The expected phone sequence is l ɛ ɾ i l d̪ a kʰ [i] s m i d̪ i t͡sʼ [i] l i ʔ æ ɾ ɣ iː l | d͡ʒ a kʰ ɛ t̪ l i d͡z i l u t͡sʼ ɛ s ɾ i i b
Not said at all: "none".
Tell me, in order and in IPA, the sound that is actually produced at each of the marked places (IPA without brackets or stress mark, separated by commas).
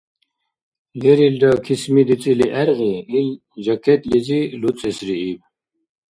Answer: i, i